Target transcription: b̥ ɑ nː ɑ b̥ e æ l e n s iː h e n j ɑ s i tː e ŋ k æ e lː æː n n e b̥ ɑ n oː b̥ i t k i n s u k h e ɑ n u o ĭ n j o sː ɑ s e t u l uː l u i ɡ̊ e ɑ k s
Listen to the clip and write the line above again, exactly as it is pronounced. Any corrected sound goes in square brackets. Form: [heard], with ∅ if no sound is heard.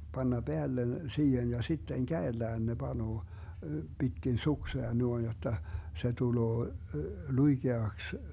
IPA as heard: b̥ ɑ nː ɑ b̥ e æ [lː] e n s iː h e n j ɑ s i tː e ŋ k æ e lː æː n n e b̥ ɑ n oː b̥ i t k i n s u k [s] e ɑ n u o ĭ n j o [tː] ɑ s e t u l [oː] l u i ɡ̊ e ɑ k s